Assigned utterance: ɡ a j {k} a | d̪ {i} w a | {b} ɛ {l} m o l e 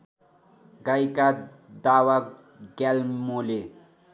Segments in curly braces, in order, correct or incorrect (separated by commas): correct, incorrect, incorrect, correct